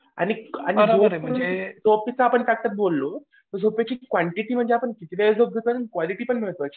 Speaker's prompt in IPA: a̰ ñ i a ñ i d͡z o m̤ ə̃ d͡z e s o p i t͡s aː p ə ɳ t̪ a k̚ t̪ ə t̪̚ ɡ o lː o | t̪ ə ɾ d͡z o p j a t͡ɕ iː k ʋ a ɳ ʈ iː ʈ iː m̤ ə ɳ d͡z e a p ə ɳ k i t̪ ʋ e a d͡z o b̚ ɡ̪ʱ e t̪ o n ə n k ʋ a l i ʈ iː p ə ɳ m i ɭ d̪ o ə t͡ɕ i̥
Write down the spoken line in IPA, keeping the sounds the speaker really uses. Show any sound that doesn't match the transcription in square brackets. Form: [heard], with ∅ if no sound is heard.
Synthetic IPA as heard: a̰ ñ i a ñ i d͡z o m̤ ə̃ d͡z e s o p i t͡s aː p ə ɳ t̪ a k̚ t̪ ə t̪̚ [b] o lː o | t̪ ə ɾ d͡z o p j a t͡ɕ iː k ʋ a ɳ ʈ [i] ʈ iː m̤ ə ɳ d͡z e a p ə ɳ k i t̪ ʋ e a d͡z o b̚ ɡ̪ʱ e t̪ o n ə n k ʋ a l i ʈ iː p ə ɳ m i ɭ [t̪] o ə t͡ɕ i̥